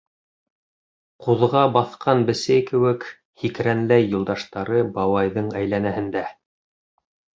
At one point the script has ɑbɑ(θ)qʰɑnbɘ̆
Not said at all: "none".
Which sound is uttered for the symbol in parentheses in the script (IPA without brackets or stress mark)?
θ